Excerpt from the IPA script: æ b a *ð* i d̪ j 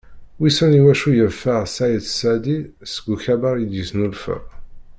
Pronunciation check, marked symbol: incorrect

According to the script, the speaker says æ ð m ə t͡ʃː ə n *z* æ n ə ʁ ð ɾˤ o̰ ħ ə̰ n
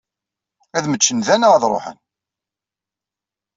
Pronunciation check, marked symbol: incorrect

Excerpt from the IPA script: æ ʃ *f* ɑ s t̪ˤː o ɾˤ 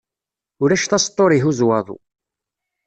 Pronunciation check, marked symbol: incorrect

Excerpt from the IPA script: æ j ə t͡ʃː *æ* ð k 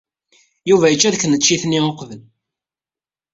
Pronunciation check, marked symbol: correct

